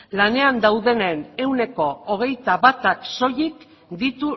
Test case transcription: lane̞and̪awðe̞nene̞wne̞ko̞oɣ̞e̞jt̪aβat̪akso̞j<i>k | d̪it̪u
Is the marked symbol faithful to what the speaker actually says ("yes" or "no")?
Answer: yes